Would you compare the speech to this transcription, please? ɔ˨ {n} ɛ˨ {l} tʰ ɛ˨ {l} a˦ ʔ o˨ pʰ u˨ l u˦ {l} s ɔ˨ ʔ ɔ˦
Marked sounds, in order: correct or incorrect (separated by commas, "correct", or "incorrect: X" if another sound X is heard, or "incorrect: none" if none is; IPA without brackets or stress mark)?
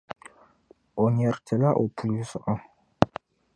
incorrect: ɲ, incorrect: ɾ, correct, incorrect: none